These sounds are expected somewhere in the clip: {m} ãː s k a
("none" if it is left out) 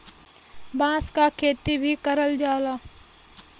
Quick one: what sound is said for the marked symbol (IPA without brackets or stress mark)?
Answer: b